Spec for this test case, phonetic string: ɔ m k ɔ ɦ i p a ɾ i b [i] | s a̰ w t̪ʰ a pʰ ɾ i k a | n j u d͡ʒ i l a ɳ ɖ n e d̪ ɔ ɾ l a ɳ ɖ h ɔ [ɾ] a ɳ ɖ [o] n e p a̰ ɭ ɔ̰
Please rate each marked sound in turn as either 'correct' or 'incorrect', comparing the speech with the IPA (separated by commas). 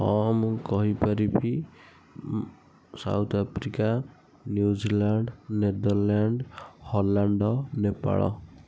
correct, incorrect, incorrect